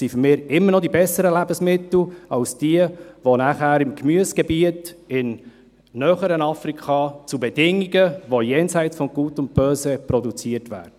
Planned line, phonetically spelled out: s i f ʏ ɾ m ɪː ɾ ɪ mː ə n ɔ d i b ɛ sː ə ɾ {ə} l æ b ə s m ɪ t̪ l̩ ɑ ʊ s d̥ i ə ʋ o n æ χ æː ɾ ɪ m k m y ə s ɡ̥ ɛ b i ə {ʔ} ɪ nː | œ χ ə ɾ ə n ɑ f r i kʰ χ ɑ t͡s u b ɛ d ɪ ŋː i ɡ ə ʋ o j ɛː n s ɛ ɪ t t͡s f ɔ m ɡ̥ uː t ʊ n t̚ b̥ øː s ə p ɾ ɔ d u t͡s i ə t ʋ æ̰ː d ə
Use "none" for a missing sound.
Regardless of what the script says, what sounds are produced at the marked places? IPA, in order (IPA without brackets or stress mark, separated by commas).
ə, t